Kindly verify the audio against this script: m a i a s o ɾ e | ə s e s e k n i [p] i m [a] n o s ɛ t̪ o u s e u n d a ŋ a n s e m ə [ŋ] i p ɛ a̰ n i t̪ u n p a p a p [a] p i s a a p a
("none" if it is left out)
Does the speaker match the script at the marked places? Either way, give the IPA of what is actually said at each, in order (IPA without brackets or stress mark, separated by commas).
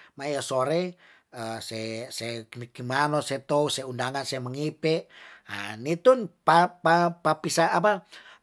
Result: k, a, ŋ, a